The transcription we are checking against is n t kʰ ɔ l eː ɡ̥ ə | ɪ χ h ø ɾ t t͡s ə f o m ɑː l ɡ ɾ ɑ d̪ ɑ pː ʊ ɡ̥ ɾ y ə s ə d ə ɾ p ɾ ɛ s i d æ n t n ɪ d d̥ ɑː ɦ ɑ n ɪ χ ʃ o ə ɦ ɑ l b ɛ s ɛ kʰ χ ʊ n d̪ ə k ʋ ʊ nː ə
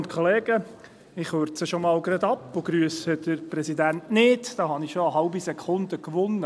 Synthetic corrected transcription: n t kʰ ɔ l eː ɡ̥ ə | ɪ χ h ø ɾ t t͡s ə ʃ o m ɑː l ɡ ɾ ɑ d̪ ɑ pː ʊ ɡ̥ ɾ y ə s ə d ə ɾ p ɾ ɛ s i d æ n t n ɪ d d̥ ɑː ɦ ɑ n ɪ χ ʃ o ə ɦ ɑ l b i s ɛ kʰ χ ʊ n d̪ ə k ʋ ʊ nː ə

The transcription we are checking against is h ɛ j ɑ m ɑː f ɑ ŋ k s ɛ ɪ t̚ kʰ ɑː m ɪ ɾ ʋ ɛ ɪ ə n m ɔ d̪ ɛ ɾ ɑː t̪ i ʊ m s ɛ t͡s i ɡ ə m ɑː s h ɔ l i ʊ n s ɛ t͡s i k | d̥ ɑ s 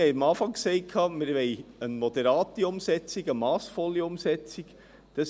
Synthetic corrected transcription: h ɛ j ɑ m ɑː f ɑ ŋ k s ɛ ɪ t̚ kʰ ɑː m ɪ ɾ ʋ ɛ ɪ ə n m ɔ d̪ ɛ ɾ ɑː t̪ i ʊ m s ɛ t͡s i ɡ ə m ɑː s f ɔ l i ʊ m s ɛ t͡s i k | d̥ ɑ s

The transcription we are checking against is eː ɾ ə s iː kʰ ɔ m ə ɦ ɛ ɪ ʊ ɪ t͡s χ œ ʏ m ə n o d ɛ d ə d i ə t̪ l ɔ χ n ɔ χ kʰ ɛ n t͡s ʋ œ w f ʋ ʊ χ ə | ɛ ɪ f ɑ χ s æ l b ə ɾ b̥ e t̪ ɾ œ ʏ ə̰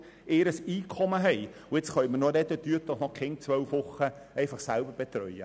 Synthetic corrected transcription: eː ɾ ə s iː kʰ ɔ m ə ɦ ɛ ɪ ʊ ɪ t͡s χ œ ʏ m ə n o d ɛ d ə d y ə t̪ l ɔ χ n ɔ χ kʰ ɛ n t͡s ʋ œ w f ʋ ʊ χ ə | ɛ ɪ f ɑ χ s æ l b ə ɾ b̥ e t̪ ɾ œ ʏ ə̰

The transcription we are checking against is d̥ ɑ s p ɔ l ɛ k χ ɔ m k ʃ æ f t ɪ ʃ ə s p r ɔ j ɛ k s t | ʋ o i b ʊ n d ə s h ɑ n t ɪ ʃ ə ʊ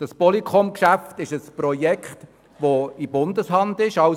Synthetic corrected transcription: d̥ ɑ s p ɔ l i k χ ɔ m k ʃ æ f t ɪ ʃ ə s p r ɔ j ɛ k χ t | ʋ o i b ʊ n d ə s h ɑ n d ɪ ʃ ɑ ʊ

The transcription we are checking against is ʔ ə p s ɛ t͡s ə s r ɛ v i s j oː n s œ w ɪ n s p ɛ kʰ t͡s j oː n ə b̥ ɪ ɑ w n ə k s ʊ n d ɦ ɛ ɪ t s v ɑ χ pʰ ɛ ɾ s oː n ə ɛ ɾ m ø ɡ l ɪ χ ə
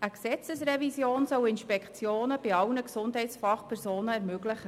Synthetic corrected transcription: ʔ ə k s ɛ t͡s ə s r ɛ v i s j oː n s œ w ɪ n ʃ p ɛ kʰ t͡s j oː n ə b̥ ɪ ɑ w n ə k s ʊ n d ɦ ɛ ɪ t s f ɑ χ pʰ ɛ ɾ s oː n ə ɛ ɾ m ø ɡ l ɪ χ ə

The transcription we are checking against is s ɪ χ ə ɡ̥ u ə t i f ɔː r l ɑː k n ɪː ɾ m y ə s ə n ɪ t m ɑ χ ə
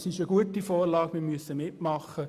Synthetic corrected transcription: s ɪ ʃ ə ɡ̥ u ə t i f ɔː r l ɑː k m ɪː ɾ m y ə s ə m ɪ t m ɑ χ ə

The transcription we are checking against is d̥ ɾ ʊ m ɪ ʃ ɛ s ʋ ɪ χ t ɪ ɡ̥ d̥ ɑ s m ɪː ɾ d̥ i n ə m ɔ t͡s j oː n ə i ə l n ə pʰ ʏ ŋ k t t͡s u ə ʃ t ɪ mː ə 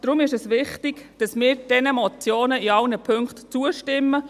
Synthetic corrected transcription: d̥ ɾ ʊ m ɪ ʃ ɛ s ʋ ɪ χ t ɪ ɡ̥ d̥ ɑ s m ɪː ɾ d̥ ɛ n ə m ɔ t͡s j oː n ə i ɑ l n ə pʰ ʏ ŋ k t t͡s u ə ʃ t ɪ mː ə

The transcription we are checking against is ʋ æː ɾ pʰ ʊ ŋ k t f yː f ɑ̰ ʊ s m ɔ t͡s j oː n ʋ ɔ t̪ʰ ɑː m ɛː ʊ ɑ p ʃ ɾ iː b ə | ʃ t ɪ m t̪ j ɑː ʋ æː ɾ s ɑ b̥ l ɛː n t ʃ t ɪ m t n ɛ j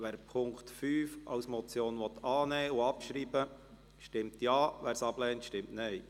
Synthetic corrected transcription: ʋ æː ɾ pʰ ʊ ŋ k t f yː f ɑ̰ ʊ s m ɔ t͡s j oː n ʋ ɔ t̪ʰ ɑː n ɛː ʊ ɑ p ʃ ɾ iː b ə | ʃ t ɪ m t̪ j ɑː ʋ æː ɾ s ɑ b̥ l ɛː n t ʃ t ɪ m t n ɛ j

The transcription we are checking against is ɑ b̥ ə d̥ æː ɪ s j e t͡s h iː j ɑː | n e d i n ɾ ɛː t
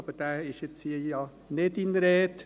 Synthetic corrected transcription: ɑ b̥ ə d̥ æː ɪ ʃ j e t͡s h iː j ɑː | n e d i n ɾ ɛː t

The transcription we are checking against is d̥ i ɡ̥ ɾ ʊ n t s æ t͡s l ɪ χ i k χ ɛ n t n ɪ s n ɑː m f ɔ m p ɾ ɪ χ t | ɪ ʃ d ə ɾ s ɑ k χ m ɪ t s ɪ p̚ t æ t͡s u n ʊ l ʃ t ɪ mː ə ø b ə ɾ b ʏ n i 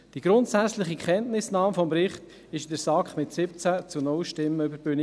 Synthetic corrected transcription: d̥ i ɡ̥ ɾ ʊ n t s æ t͡s l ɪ χ i k χ ɛ n t n ɪ s n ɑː m f ɔ m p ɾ ɪ χ t | ɪ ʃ d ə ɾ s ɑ k χ m ɪ t s ɪ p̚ t͡s æ t͡s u n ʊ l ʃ t ɪ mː ə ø b ə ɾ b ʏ n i

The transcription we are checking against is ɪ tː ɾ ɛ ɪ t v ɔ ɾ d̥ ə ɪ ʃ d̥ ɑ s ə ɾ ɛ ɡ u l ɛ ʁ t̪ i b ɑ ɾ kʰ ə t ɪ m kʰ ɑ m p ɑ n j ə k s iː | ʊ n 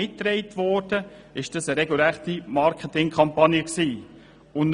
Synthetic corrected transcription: ɪ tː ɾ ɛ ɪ t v ɔ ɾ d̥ ə ɪ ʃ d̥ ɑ s ə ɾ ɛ ɡ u l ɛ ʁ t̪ i m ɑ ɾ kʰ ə t ɪ ŋ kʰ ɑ m p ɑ n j ə k s iː | ʊ n

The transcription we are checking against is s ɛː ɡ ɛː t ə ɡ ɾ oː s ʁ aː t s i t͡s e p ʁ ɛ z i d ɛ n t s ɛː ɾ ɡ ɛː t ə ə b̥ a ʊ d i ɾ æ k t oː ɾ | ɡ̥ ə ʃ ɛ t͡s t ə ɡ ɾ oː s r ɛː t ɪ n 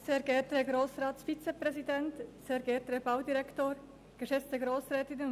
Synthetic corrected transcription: s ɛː ɡ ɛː t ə ɡ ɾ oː s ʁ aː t f i t͡s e p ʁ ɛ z i d ɛ n t s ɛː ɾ ɡ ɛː t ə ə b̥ a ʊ d i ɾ ɛ k t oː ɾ | ɡ̥ ə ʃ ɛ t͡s t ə ɡ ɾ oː s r ɛː t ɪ n

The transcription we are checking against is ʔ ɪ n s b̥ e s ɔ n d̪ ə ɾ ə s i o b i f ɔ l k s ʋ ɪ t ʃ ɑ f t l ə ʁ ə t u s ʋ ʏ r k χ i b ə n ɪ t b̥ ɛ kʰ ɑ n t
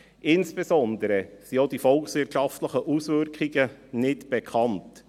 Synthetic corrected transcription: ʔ ɪ n s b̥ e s ɔ n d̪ ə ɾ ə s i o d i f ɔ l k s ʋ ɪ t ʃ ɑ f t l ə χ ə ʔ u s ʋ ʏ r k χ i ɡ ə n ɪ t b̥ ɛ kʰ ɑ n t

